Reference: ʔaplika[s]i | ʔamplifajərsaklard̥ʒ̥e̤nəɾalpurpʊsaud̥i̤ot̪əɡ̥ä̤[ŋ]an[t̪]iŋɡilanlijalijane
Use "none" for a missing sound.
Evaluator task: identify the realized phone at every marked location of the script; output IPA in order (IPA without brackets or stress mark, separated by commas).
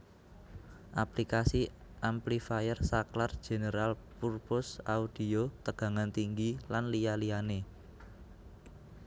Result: s, ŋ, t̪